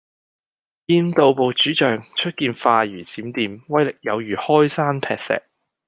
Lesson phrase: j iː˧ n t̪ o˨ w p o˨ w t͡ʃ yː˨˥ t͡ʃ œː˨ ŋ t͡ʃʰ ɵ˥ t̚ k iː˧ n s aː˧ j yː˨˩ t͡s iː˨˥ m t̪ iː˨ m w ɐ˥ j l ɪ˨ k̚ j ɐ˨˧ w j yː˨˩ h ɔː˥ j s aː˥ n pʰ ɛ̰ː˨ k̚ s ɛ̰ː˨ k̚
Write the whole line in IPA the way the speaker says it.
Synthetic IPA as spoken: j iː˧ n t̪ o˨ w p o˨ w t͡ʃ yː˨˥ t͡ʃ œː˨ ŋ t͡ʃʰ ɵ˥ t̚ k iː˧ n f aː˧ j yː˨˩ t͡s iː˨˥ m t̪ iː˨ m w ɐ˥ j l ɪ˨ k̚ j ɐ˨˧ w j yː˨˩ h ɔː˥ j s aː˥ n pʰ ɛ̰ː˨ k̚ s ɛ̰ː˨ k̚

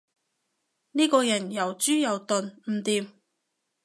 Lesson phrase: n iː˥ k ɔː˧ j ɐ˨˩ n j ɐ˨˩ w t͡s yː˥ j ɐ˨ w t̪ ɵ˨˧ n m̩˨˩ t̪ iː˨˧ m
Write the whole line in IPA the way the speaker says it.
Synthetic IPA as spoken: n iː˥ k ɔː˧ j ɐ˨˩ n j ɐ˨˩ w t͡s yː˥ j ɐ˨ w t̪ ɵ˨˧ n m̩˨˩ t̪ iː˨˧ m

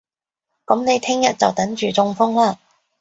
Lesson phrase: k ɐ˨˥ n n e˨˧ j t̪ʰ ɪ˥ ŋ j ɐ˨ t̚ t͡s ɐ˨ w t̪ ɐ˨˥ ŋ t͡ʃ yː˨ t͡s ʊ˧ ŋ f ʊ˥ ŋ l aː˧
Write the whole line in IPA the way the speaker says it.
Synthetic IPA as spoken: k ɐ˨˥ m n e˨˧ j t̪ʰ ɪ˥ ŋ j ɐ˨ t̚ t͡s ɐ˨ w t̪ ɐ˨˥ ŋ t͡ʃ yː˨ t͡s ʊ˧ ŋ f ʊ˥ ŋ l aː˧

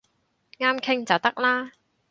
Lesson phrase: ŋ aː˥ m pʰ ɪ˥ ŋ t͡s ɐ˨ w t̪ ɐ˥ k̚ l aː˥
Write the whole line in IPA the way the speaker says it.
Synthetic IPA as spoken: ŋ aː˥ m kʰ ɪ˥ ŋ t͡s ɐ˨ w t̪ ɐ˥ k̚ l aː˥

